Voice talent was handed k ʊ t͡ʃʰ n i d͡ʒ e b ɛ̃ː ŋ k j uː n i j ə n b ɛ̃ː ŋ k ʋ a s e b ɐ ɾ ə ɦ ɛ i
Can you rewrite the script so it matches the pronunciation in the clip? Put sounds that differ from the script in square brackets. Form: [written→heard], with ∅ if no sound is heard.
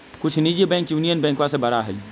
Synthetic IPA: k ʊ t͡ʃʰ n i d͡ʒ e b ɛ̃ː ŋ k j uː n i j ə n b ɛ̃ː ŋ k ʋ a s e b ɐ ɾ [ə→a] ɦ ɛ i